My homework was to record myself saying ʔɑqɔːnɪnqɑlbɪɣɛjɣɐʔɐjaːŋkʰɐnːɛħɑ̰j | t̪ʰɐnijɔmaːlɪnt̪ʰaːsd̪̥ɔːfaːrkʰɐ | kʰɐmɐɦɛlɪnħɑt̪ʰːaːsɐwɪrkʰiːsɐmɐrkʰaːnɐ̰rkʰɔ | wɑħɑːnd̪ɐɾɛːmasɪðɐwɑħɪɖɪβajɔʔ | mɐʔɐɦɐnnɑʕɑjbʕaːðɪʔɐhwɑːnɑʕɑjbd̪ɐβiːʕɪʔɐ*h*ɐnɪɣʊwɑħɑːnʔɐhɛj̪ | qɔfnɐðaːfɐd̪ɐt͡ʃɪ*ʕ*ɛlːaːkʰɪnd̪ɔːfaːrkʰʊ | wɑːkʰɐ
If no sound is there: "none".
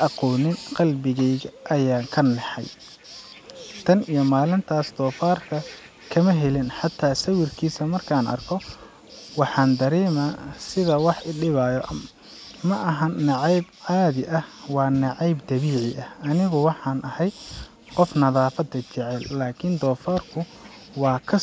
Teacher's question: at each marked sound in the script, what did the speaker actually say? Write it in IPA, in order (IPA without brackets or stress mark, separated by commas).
h, ʕ